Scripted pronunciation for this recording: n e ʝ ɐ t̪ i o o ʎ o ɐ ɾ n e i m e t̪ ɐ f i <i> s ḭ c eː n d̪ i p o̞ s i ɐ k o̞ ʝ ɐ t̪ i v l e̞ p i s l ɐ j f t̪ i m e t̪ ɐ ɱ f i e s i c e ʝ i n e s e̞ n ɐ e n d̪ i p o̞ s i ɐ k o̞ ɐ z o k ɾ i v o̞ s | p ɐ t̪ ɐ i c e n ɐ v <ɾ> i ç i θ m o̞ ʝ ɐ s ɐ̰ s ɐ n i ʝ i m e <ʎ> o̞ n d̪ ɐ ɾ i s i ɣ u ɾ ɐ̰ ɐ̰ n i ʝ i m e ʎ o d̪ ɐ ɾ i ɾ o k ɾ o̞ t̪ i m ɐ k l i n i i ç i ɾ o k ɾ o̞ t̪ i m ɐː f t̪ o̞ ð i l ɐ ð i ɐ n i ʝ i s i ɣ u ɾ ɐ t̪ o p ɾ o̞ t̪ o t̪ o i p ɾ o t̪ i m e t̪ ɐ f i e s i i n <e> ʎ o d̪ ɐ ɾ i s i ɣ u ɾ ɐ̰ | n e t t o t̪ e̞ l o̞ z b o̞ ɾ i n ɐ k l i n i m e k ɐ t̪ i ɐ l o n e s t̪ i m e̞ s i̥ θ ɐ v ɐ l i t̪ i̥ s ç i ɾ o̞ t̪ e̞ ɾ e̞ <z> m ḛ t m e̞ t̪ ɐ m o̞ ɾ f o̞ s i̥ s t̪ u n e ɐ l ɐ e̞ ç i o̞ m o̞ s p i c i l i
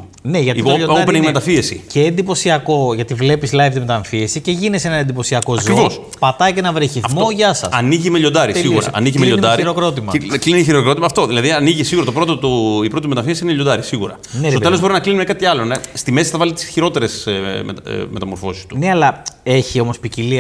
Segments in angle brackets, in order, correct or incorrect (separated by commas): incorrect, correct, correct, correct, incorrect